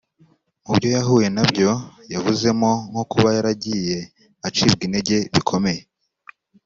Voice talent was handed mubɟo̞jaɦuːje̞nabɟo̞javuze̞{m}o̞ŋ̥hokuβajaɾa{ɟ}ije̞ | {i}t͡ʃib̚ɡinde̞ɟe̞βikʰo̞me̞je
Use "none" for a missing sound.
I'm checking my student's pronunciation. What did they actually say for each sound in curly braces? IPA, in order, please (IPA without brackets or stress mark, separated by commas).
m, ɟ, a